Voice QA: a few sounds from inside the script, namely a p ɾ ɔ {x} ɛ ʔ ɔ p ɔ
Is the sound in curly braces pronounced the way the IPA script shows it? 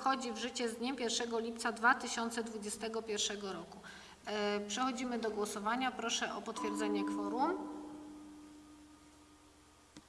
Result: no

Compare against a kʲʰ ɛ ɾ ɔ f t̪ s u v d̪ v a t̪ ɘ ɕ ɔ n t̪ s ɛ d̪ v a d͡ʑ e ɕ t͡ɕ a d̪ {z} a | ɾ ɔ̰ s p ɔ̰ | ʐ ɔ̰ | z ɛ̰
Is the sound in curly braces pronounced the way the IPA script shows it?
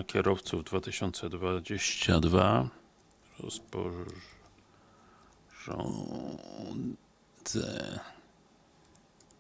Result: no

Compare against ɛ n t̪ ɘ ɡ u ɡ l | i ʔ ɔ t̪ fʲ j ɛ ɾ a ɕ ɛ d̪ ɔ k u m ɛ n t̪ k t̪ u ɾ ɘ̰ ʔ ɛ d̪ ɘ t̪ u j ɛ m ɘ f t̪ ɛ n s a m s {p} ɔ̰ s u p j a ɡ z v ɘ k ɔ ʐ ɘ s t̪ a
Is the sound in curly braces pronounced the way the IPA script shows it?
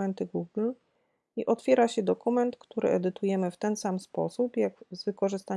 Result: yes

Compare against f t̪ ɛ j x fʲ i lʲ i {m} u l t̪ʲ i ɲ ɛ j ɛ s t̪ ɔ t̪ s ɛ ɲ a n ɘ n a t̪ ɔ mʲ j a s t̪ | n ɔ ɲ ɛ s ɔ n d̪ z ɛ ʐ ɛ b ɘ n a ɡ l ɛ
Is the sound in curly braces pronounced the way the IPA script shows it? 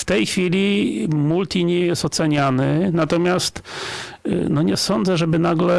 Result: yes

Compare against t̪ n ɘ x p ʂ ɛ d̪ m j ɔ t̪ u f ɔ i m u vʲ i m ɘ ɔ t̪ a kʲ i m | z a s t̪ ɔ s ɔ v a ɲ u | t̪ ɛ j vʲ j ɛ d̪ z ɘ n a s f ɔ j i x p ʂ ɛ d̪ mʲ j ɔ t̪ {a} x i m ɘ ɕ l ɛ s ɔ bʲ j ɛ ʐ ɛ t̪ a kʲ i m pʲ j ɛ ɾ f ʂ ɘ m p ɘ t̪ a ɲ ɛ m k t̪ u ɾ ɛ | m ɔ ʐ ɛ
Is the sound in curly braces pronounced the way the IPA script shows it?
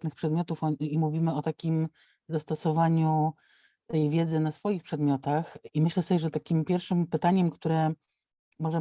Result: yes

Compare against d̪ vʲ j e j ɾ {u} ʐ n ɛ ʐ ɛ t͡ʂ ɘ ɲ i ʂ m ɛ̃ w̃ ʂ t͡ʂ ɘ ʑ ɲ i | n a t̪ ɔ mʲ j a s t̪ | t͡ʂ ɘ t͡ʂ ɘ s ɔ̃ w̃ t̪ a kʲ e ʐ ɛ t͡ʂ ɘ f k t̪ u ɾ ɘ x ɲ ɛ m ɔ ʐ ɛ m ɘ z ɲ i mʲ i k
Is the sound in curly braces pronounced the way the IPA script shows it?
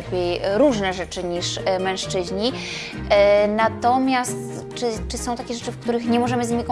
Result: yes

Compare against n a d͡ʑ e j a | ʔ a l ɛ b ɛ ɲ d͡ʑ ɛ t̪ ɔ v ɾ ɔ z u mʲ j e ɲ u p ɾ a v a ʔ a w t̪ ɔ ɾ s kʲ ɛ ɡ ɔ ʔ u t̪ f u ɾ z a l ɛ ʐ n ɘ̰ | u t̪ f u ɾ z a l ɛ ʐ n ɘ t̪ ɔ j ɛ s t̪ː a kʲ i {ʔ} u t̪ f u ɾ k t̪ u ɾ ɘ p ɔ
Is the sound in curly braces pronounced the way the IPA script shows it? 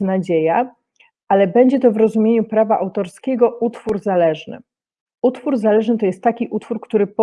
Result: yes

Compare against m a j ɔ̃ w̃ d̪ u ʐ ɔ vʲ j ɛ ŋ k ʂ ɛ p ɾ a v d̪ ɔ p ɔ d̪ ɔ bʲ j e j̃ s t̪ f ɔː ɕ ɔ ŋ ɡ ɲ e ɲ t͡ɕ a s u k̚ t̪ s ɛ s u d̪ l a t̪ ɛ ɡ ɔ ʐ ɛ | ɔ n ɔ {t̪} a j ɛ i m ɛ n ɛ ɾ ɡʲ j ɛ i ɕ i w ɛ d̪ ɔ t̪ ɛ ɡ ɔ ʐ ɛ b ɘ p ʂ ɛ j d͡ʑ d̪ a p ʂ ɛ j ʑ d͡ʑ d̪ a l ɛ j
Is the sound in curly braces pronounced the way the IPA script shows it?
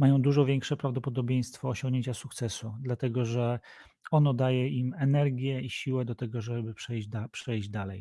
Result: no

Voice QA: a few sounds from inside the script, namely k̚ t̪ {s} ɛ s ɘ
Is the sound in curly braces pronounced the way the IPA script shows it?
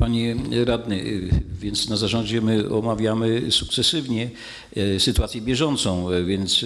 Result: yes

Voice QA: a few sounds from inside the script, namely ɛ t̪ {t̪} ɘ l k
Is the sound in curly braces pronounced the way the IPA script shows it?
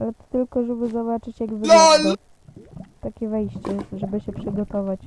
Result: yes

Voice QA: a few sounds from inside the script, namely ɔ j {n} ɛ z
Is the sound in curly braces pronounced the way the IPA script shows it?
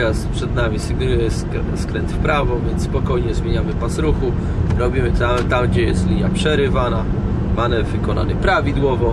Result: no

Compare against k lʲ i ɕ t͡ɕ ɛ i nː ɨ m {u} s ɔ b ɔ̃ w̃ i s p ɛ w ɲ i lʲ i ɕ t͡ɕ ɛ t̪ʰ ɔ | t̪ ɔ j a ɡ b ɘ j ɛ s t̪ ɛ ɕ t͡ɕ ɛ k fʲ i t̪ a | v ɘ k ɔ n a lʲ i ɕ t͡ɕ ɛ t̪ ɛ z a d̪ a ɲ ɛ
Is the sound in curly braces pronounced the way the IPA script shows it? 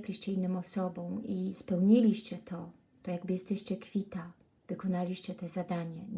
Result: no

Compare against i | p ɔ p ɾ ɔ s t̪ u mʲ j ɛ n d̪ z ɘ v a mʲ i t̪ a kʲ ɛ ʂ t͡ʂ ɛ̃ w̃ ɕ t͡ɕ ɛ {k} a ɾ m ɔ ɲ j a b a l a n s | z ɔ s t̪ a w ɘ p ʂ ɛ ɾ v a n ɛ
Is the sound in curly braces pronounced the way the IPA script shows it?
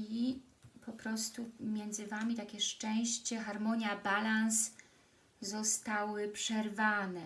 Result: no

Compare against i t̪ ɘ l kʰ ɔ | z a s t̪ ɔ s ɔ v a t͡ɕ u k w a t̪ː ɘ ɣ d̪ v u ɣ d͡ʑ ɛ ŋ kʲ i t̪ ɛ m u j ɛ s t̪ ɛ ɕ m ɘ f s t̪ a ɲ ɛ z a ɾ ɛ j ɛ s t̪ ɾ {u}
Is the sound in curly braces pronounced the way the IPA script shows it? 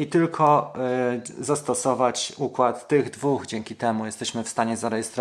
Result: no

